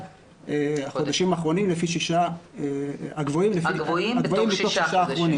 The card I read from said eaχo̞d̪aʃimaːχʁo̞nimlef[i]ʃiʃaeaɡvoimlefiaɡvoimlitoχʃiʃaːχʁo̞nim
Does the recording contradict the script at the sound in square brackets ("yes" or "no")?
no